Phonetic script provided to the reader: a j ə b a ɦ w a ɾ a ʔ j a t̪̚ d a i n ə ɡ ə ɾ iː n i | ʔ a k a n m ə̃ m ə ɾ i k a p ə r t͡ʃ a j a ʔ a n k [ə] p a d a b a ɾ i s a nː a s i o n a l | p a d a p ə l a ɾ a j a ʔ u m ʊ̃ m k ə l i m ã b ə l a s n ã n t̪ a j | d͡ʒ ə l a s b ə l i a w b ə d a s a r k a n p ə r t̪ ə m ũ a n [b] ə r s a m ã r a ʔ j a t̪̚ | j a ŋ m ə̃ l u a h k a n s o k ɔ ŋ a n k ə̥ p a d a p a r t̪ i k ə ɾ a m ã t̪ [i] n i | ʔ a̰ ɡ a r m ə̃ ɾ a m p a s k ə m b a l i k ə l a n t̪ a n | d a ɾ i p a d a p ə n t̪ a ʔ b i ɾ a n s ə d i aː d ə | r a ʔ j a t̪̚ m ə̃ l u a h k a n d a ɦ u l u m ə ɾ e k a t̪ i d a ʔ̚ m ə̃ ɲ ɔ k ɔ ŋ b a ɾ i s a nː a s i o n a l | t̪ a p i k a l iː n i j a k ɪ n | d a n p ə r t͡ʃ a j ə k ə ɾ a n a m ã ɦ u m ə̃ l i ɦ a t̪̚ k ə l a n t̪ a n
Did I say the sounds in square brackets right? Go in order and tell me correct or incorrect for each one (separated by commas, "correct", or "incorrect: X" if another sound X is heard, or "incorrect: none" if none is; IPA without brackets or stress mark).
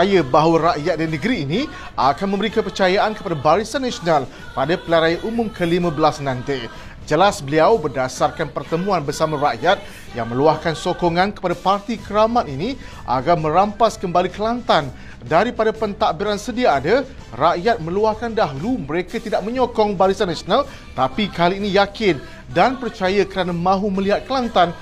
correct, correct, correct